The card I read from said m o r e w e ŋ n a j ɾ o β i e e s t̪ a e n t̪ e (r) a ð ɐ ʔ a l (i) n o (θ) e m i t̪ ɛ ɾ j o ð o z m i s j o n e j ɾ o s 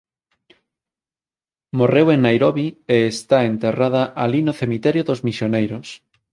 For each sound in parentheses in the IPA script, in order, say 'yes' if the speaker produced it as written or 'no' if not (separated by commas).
yes, yes, yes